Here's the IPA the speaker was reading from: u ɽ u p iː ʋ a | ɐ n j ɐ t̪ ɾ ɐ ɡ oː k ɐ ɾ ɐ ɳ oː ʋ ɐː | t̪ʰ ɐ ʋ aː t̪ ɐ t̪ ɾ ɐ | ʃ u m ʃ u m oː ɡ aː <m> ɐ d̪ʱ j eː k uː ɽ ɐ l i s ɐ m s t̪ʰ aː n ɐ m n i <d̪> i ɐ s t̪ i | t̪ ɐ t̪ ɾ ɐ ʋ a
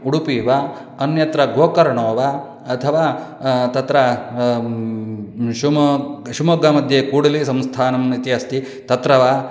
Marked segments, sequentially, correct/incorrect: correct, incorrect

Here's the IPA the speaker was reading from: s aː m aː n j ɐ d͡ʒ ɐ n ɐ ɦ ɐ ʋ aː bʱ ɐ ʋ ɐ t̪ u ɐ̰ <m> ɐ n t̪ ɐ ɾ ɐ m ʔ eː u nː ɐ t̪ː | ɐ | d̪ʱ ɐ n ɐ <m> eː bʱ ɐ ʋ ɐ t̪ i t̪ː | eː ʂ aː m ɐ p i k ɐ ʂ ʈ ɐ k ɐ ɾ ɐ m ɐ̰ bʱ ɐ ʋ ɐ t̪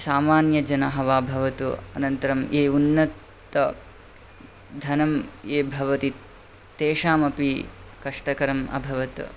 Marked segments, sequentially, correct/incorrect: incorrect, correct

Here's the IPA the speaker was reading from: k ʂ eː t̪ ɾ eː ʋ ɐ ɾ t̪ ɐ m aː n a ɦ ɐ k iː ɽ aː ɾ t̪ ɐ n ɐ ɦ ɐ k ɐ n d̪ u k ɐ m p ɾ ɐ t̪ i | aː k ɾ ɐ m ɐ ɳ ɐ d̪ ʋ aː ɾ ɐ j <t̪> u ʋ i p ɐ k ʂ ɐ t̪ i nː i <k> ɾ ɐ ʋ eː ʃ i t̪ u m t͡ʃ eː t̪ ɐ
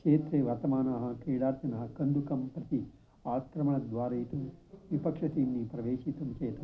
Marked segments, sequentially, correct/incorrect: correct, incorrect

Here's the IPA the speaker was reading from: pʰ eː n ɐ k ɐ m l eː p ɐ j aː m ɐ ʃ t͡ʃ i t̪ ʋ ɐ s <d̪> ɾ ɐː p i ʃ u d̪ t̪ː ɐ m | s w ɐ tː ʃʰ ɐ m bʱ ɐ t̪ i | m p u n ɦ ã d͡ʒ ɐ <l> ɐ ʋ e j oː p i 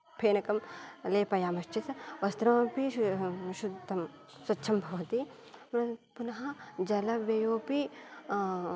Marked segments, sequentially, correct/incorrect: incorrect, correct

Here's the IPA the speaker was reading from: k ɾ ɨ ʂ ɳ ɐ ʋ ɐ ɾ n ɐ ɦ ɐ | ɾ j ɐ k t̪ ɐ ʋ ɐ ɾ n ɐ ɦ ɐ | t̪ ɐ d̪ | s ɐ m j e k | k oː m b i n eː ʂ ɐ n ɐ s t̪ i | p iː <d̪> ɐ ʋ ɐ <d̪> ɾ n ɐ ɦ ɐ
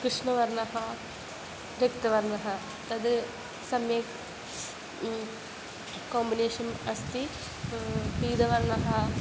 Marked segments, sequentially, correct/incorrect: correct, incorrect

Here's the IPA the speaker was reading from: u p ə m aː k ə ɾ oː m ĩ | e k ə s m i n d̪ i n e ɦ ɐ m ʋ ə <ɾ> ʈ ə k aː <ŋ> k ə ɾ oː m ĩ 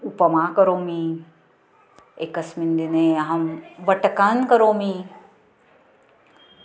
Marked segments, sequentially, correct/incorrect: incorrect, incorrect

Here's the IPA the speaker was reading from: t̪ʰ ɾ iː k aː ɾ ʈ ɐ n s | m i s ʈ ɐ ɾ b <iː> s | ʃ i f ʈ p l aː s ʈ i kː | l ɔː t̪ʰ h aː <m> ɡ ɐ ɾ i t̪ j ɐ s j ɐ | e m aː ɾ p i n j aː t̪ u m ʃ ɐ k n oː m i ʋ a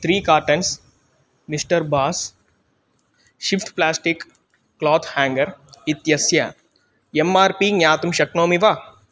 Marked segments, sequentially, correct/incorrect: incorrect, incorrect

